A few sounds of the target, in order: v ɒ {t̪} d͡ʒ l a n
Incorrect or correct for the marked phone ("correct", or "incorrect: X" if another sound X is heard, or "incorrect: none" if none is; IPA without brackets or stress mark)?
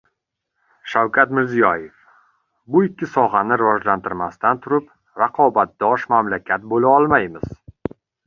incorrect: none